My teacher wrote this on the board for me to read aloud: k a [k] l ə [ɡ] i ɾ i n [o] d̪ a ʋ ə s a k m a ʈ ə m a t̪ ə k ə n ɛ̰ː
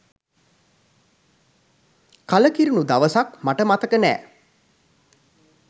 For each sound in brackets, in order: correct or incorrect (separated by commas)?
incorrect, incorrect, incorrect